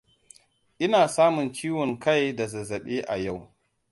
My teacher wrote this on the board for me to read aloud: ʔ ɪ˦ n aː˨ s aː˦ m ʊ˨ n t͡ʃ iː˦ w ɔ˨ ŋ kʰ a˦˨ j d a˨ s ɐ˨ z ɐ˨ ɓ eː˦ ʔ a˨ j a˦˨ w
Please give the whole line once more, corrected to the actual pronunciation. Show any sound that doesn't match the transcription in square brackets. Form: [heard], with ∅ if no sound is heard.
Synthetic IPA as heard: ʔ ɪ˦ n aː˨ s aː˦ m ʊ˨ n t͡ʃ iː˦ w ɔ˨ ŋ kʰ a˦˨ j d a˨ [z] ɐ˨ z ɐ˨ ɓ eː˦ ʔ a˨ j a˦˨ w